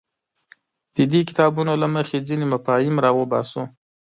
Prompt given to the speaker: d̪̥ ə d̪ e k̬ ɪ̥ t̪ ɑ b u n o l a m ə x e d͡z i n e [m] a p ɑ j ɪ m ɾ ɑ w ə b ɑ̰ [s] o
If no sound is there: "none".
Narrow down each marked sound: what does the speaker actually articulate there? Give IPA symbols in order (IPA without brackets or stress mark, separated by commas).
m, s